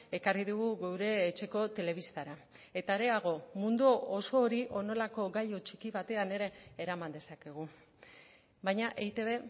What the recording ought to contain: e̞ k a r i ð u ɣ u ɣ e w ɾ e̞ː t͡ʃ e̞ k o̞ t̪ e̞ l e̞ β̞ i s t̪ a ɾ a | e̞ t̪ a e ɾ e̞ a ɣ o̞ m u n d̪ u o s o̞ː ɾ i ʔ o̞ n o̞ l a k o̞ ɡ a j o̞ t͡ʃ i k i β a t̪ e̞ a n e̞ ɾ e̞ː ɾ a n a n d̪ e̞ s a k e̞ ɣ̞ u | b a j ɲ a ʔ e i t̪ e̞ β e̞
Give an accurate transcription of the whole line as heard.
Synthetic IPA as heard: e̞ k a r i ð u ɣ u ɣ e w ɾ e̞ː t͡ʃ e̞ k o̞ t̪ e̞ l e̞ β̞ i s t̪ a ɾ a | e̞ t̪ a e ɾ e̞ a ɣ o̞ m u n d̪ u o s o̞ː ɾ i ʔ o̞ n o̞ l a k o̞ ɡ a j o̞ t͡ʃ i k i β a t̪ e̞ a n e̞ ɾ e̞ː ɾ a m a n d̪ e̞ s a k e̞ ɣ̞ u | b a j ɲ a ʔ e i t̪ e̞ β e̞

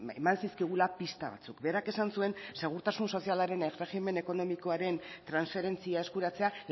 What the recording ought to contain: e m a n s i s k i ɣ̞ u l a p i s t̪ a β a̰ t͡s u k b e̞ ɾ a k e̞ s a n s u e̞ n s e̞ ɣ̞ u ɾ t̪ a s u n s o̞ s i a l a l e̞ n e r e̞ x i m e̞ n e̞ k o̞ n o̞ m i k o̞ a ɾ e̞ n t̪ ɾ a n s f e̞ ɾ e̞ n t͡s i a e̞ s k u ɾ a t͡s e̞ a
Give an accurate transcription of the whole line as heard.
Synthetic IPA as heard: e m a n s i s k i ɣ̞ u l a p i s t̪ a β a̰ t͡s u k b e̞ ɾ a k e̞ s a n s u e̞ n s e̞ ɣ̞ u ɾ t̪ a s u n s o̞ s i a l a ɾ e̞ n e r e̞ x i m e̞ n e̞ k o̞ n o̞ m i k o̞ a ɾ e̞ n t̪ ɾ a n s f e̞ ɾ e̞ n t͡s i a e̞ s k u ɾ a t͡s e̞ a

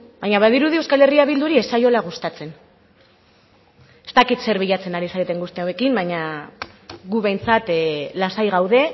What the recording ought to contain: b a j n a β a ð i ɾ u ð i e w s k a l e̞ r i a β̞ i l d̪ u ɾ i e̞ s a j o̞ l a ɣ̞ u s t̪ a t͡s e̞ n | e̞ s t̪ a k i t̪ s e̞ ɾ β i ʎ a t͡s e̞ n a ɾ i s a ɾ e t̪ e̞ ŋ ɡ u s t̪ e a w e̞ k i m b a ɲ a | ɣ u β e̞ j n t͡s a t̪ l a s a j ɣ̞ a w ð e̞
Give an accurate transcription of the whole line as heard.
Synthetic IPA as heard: b a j ɲ a β a ð i ɾ u ð i e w s k a l e̞ r i a β̞ i l d̪ u ɾ i e̞ s a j o̞ l a ɣ̞ u s t̪ a t͡s e̞ n | e̞ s t̪ a k i t̪ s e̞ ɾ β i ʎ a t͡s e̞ n a ɾ i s a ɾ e t̪ e̞ ŋ ɡ u s t̪ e a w e̞ k i m b a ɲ a | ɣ u β e̞ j n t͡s a t̪ l a s a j ɣ̞ a w ð e̞

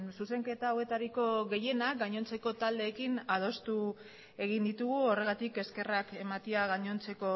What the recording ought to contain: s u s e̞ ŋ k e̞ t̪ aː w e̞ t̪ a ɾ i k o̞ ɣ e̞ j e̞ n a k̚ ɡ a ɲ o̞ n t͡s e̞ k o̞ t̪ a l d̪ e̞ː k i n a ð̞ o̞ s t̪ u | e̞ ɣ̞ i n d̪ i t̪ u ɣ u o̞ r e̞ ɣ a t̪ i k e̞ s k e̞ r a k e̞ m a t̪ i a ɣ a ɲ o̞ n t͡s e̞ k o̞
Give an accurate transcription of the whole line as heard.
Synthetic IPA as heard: s u s e̞ ŋ k e̞ t̪ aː w e̞ t̪ a ɾ i k o̞ ɣ e̞ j e̞ n a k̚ ɡ a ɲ o̞ n t͡s e̞ k o̞ t̪ a l d̪ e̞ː k i n a ð̞ o̞ s t̪ u | e̞ ɣ̞ i n d̪ i t̪ u ɣ u o̞ r e̞ ɣ a t̪ i k e̞ s k e̞ r a k e̞ m a t̪ i a ɣ a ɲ o̞ n t͡s e̞ k o̞

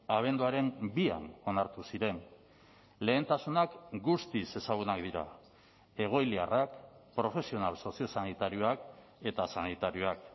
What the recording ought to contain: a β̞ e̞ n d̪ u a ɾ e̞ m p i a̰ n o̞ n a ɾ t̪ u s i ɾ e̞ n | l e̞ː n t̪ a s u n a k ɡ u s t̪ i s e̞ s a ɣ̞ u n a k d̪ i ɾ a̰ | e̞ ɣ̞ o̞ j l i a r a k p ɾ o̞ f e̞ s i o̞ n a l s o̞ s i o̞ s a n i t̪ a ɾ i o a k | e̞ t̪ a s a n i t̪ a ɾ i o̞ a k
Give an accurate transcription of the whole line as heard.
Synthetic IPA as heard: a β̞ e̞ n d̪ u a ɾ e̞ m b i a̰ n o̞ n a ɾ t̪ u s i ɾ e̞ n | l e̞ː n t̪ a s u n a k ɡ u s t̪ i s e̞ s a ɣ̞ u n a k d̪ i ɾ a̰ | e̞ ɣ̞ o̞ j l i a r a k p ɾ o̞ f e̞ s i o̞ n a l s o̞ s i o̞ s a n i t̪ a ɾ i o a k | e̞ t̪ a s a n i t̪ a ɾ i o̞ a k

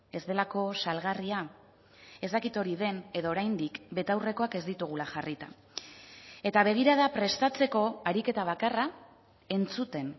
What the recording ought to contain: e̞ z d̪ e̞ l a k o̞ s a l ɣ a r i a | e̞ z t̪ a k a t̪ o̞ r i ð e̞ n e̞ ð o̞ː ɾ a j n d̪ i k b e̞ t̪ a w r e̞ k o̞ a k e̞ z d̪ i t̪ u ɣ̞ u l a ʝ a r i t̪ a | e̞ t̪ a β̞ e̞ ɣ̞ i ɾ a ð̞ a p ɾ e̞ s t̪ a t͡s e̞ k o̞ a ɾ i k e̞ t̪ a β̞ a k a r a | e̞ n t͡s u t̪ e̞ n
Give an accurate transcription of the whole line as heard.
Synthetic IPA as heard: e̞ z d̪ e̞ l a k o̞ s a l ɣ a r i a | e̞ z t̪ a k i t̪ o̞ ɾ i ð e̞ n e̞ ð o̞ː ɾ a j n d̪ i k b e̞ t̪ a w r e̞ k o̞ a k e̞ z d̪ i t̪ u ɣ̞ u l a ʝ a r i t̪ a | e̞ t̪ a β̞ e̞ ɣ̞ i ɾ a ð̞ a p ɾ e̞ s t̪ a t͡s e̞ k o̞ a ɾ i k e̞ t̪ a β̞ a k a r a | e̞ n t͡s u t̪ e̞ n

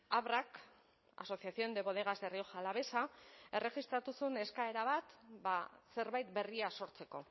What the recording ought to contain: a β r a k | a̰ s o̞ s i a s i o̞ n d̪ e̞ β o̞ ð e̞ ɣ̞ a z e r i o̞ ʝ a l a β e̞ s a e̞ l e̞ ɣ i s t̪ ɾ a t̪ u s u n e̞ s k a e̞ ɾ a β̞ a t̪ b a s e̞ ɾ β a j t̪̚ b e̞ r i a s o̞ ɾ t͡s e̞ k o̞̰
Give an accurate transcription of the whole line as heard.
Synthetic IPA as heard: a β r a k | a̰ s o̞ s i a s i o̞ n d̪ e̞ β o̞ ð e̞ ɣ̞ a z e r i o̞ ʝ a l a β e̞ s a e̞ r e̞ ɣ i s t̪ ɾ a t̪ u s u n e̞ s k a e̞ ɾ a β̞ a t̪ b a s e̞ ɾ β a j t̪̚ b e̞ r i a s o̞ ɾ t͡s e̞ k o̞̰

